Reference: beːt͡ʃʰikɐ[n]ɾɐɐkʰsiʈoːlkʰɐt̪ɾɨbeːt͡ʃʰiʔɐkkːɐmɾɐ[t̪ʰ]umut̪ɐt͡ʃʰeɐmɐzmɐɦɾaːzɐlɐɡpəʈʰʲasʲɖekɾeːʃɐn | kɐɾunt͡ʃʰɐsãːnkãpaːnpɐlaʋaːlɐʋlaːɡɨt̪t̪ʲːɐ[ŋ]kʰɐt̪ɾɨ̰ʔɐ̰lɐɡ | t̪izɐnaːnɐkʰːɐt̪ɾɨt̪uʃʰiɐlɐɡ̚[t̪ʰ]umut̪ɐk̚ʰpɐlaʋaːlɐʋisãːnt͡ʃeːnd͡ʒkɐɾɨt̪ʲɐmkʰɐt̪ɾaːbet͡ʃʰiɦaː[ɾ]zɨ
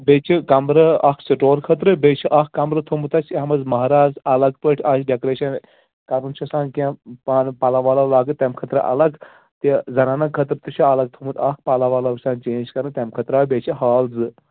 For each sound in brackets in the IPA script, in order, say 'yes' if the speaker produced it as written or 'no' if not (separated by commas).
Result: no, yes, no, yes, no